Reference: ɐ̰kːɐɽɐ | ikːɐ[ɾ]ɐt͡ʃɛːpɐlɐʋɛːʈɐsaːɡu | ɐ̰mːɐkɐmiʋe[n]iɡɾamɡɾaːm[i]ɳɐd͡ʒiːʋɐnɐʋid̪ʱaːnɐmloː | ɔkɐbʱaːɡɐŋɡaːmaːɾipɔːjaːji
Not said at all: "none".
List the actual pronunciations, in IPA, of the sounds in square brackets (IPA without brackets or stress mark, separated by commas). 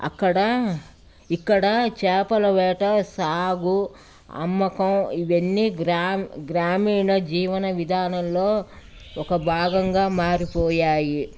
ɽ, nː, iː